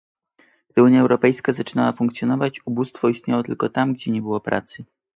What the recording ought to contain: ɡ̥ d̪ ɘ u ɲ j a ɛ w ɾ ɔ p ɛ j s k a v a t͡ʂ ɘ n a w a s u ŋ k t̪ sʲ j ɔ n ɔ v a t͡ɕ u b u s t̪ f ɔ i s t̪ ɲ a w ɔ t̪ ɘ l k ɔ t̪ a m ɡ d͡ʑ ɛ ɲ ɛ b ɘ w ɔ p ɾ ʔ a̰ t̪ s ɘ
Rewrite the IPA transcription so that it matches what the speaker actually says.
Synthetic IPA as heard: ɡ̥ d̪ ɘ u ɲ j a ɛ w ɾ ɔ p ɛ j s k a z a t͡ʂ ɘ n a w a f u ŋ k t̪ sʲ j ɔ n ɔ v a t͡ɕ u b u s t̪ f ɔ i s t̪ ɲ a w ɔ t̪ ɘ l k ɔ t̪ a m ɡ d͡ʑ ɛ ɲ ɛ b ɘ w ɔ p ɾ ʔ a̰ t̪ s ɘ